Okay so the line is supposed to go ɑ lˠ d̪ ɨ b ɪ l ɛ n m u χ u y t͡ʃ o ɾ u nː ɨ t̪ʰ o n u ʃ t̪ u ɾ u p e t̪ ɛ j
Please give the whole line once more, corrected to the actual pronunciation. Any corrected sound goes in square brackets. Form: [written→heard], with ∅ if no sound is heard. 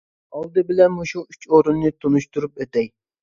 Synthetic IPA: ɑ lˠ d̪ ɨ b ɪ l ɛ n m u [χ→ʃ] u y t͡ʃ o ɾ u nː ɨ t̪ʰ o n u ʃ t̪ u ɾ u p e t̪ ɛ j